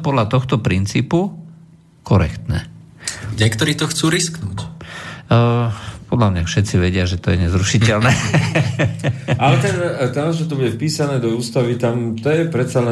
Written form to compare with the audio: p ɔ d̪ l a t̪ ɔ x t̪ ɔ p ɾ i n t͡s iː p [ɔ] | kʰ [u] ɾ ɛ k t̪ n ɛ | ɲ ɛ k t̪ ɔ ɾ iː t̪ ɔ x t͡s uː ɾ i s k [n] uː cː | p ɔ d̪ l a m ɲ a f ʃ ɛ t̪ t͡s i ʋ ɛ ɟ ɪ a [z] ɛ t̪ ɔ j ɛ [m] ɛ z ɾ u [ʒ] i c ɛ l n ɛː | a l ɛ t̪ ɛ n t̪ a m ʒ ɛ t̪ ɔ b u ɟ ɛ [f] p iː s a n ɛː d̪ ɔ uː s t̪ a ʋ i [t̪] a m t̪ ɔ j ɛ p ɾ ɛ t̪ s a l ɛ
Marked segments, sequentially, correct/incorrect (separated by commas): incorrect, incorrect, correct, incorrect, incorrect, incorrect, correct, correct